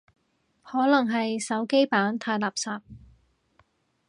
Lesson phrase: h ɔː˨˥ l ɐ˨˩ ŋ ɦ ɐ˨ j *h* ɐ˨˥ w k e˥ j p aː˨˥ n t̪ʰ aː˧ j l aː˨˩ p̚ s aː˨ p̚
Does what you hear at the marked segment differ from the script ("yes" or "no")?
yes